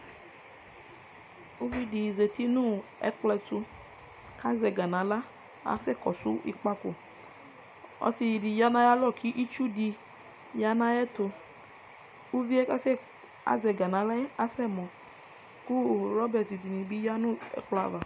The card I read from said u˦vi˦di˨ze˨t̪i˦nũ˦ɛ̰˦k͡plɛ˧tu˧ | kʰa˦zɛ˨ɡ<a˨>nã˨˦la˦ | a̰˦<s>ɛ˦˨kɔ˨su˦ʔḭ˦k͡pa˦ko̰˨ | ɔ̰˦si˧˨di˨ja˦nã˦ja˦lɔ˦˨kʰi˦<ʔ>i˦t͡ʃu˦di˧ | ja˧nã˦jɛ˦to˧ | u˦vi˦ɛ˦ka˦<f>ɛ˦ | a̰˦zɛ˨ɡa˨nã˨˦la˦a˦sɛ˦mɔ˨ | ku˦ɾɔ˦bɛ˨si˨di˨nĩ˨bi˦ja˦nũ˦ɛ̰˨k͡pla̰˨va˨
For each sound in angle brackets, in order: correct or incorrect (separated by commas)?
correct, incorrect, correct, correct